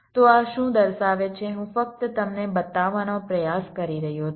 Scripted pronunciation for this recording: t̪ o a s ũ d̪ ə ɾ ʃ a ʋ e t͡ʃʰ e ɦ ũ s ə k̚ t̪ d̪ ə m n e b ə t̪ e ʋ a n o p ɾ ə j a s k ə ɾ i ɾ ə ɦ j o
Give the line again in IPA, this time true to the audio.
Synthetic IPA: t̪ o a ʃ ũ d̪ ə ɾ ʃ a ʋ e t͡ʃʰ e ɦ ũ f ə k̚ t̪ t̪ ə m n e b ə t̪ a ʋ a n o p ɾ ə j a s k ə ɾ i ɾ ə ɦ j o